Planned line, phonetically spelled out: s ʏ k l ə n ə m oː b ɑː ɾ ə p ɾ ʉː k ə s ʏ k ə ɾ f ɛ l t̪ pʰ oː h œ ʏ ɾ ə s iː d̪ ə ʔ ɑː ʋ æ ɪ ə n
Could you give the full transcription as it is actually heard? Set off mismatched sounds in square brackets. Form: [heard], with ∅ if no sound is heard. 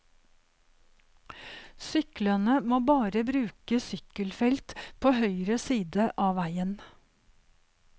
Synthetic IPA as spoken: s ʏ k l ə n ə m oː b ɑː ɾ ə [b] ɾ ʉː k ə s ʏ k ə [l] f ɛ l t̪ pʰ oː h œ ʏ ɾ ə s iː d̪ ə ʔ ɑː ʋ æ ɪ ə n

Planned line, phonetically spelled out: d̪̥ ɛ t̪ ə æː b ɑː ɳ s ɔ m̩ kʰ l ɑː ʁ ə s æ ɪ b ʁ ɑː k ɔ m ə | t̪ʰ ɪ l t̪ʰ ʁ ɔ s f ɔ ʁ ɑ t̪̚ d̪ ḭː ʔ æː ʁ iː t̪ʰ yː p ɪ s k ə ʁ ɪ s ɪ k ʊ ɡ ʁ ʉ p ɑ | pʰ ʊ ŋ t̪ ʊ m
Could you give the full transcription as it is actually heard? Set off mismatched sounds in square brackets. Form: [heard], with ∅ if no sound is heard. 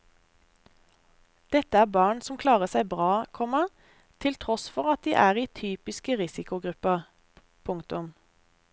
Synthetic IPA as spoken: d̪̥ ɛ t̪ ə æː b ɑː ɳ s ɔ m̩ kʰ l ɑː ʁ ə s æ ɪ b ʁ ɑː [kʰ] ɔ m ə | t̪ʰ ɪ l t̪ʰ ʁ ɔ s f ɔ ʁ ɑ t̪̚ d̪ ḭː ʔ æː ʁ iː t̪ʰ yː p ɪ s k ə ʁ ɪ s ɪ k ʊ ɡ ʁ ʉ p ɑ | pʰ ʊ ŋ t̪ ʊ m

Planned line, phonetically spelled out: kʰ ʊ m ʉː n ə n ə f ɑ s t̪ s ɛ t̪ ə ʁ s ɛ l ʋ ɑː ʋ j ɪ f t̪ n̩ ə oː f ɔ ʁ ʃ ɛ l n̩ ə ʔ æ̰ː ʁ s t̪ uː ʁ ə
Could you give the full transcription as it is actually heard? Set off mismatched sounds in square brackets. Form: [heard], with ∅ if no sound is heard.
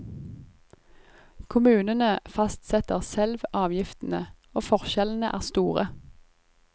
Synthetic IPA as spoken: kʰ ʊ m ʉː n ə n ə f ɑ s t̪ s ɛ t̪ ə ʁ s ɛ l ʋ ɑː ʋ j ɪ f t̪ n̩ ə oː f ɔ ʁ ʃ ɛ l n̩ ə ʔ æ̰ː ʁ s t̪ uː ʁ ə

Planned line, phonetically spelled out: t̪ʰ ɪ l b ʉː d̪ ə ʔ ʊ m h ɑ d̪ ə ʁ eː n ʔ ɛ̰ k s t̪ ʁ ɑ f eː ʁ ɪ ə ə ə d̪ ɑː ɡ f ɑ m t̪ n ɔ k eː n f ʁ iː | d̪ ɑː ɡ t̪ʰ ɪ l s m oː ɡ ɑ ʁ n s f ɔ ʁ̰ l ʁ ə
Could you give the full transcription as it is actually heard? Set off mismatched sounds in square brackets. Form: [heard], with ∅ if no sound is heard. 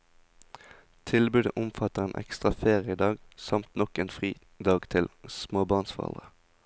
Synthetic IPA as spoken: t̪ʰ ɪ l b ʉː d̪ ə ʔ ʊ m [f] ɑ [t̪] ə ʁ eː n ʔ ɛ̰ k s t̪ ʁ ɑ f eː ʁ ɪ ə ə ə d̪ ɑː ɡ [s] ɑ m t̪ n ɔ k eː n f ʁ iː | d̪ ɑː ɡ t̪ʰ ɪ l s m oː [b] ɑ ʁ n s f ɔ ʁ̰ l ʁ ə

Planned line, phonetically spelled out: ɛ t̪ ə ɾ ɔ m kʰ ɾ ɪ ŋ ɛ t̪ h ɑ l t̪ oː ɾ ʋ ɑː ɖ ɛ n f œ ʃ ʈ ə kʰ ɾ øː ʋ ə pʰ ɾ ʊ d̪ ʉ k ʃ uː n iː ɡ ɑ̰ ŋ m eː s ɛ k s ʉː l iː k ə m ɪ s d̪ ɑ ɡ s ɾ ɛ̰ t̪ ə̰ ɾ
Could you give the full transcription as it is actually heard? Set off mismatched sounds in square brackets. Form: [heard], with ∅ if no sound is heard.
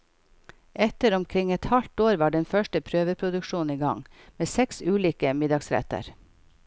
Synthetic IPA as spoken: ɛ t̪ ə ɾ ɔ m kʰ ɾ ɪ ŋ ɛ t̪ h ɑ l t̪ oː ɾ ʋ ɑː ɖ ɛ n f œ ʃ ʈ ə [pʰ] ɾ øː ʋ ə pʰ ɾ ʊ d̪ ʉ k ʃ uː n iː ɡ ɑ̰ ŋ m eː s ɛ k s ʉː l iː k ə m ɪ [∅] d̪ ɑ ɡ s ɾ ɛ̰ t̪ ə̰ ɾ

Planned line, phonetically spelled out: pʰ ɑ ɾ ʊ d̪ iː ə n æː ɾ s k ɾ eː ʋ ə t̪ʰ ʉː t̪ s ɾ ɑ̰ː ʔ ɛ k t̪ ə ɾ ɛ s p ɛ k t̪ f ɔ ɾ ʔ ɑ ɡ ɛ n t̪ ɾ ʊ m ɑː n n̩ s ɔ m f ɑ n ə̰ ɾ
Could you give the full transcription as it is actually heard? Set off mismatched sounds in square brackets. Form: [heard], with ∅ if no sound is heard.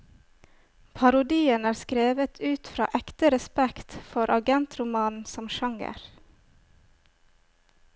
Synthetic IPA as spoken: pʰ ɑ ɾ ʊ d̪ iː ə n æː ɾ s k ɾ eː ʋ ə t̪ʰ ʉː t̪ [f] ɾ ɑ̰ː ʔ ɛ k t̪ ə ɾ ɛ s p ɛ k t̪ f ɔ ɾ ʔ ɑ ɡ ɛ n t̪ ɾ ʊ m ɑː n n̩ s ɔ m [ʃ] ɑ [ŋ] ə̰ ɾ

